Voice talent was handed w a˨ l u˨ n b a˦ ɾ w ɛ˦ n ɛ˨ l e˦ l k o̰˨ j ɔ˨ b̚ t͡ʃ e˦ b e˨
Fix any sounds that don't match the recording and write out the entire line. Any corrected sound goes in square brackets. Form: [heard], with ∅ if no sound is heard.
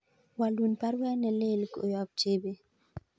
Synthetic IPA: w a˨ l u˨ n [p] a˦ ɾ w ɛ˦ n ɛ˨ l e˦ l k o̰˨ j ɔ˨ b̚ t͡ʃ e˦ b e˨